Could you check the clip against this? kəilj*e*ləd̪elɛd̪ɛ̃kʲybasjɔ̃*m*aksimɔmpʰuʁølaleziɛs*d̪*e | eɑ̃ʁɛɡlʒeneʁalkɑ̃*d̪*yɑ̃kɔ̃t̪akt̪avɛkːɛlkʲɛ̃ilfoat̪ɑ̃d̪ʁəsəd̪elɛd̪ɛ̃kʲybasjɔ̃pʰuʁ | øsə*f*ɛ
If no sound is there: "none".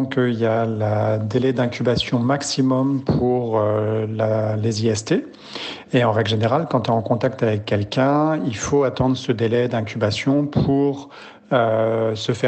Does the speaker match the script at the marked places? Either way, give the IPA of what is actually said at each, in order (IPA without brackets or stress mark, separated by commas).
a, m, t̪, t̪, f